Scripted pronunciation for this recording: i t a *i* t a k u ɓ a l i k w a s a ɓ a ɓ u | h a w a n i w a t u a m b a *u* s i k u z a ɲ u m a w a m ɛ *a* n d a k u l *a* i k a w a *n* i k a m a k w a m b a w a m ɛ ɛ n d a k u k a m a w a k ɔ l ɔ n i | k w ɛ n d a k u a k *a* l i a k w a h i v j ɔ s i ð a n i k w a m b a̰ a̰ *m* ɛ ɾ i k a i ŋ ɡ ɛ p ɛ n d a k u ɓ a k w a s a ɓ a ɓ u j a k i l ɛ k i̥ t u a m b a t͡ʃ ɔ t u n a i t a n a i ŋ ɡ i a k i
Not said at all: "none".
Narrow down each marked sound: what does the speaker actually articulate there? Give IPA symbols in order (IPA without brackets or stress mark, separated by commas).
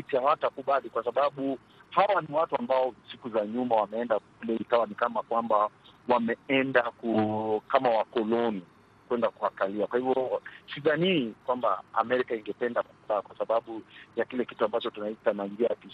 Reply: a, ɔ, ɛ, ɛ, n, a, m